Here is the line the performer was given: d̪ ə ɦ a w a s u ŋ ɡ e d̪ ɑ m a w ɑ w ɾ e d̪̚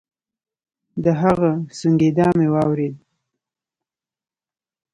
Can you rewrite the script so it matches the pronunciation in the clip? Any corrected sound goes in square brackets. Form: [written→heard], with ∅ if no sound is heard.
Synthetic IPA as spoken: d̪ ə ɦ a [w→ɣ] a s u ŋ ɡ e d̪ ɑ m [a→e] w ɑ w ɾ e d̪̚

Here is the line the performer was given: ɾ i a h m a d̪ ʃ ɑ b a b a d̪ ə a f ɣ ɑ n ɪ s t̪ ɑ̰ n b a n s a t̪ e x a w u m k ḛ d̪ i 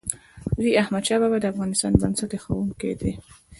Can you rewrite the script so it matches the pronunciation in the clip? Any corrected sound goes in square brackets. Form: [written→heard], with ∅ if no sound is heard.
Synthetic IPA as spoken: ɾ i a h m a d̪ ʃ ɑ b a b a d̪ ə a f ɣ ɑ n ɪ s t̪ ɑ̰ n b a n s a t̪ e x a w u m k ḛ d̪ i

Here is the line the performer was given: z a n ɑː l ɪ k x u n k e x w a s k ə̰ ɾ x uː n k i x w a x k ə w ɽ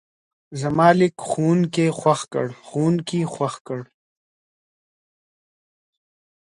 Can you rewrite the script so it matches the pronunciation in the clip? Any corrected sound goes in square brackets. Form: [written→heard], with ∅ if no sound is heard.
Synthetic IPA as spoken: z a [n→m] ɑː l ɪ k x u n k e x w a [s→x] k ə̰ [ɾ→ɽ] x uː n k i x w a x k ə [w→∅] ɽ

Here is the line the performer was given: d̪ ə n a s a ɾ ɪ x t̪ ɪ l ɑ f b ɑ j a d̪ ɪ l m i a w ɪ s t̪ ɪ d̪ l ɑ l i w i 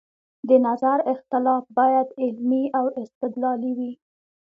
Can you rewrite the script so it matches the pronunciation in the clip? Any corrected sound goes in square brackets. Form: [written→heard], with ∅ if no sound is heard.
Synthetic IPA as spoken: d̪ ə n a [s→z] a ɾ ɪ x t̪ ɪ l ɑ f b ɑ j a d̪ ɪ l m i a w ɪ s t̪ ɪ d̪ l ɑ l i w i

